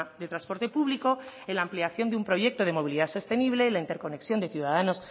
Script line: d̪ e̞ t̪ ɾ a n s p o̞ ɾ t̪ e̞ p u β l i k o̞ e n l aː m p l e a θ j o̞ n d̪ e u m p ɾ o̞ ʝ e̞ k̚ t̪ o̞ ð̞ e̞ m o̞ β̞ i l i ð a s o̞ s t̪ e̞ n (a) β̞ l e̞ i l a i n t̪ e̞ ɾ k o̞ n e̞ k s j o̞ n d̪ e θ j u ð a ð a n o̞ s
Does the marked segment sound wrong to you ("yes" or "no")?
yes